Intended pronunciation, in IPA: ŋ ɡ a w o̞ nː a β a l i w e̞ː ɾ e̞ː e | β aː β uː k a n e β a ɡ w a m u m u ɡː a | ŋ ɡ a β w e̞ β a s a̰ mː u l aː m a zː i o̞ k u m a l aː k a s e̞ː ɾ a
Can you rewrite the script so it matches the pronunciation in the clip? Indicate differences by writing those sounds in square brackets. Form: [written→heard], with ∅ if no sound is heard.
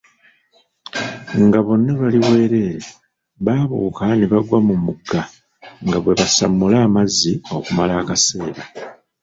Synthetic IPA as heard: ŋ ɡ a [w→β] o̞ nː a β a l i w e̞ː ɾ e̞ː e | β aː β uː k a n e β a ɡ w a m u m u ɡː a | ŋ ɡ a β w e̞ β a s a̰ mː u l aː m a zː i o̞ k u m a l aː k a s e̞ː ɾ a